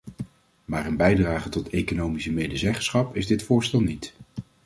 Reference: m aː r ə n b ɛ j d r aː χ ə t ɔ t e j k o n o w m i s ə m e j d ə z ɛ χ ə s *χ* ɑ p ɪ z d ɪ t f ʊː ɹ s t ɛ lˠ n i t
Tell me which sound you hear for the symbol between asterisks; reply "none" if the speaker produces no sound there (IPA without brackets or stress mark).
χ